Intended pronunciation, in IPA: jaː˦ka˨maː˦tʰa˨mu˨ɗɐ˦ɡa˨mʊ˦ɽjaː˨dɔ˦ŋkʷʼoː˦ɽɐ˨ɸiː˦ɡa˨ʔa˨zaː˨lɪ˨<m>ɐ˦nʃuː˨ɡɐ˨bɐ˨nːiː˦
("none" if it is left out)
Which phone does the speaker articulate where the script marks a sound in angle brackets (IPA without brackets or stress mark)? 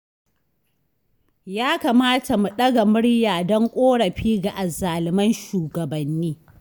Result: m